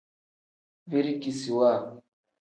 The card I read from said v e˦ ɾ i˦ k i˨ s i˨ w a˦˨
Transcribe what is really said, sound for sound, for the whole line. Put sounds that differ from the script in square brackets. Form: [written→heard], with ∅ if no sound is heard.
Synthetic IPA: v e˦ ɾ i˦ k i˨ s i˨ w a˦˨